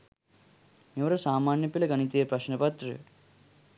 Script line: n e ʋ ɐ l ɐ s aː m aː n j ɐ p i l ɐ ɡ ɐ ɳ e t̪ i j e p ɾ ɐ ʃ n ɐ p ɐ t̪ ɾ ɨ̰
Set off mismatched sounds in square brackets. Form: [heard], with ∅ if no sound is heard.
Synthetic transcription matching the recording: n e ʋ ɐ [ɾ] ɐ s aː m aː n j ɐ p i l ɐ ɡ ɐ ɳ [i] t̪ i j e p ɾ ɐ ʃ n ɐ p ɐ t̪ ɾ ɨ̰